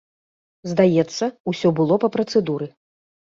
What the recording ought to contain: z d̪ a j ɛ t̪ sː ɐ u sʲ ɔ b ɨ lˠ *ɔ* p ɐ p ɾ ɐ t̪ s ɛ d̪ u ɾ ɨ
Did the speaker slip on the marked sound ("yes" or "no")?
no